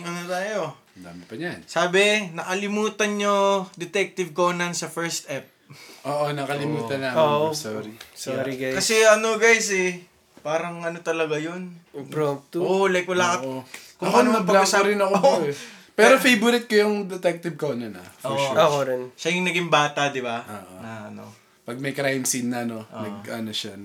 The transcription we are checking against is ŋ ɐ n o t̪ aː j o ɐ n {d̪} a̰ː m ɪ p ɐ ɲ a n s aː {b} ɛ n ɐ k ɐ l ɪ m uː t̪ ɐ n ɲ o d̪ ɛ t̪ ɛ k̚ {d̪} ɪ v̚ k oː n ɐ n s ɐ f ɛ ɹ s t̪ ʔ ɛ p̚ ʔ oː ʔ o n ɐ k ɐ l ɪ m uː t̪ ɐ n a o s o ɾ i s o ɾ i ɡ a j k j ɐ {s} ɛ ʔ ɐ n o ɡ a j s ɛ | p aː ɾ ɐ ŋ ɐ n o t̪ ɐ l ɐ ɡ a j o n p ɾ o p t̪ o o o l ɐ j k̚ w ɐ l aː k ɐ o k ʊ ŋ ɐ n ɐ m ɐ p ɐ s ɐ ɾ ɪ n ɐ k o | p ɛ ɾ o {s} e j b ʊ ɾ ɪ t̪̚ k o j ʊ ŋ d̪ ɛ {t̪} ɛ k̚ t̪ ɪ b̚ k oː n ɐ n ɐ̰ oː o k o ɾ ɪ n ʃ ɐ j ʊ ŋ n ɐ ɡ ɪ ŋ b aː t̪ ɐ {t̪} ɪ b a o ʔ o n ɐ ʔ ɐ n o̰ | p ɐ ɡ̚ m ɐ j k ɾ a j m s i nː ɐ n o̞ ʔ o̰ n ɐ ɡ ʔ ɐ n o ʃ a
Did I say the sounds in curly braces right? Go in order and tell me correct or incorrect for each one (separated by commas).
correct, correct, incorrect, correct, incorrect, correct, incorrect